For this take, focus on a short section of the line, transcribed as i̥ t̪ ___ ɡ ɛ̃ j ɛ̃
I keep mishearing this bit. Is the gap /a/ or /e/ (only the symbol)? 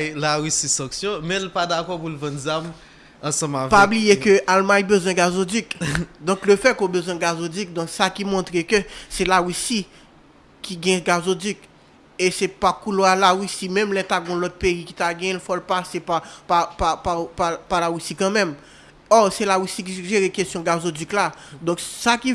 a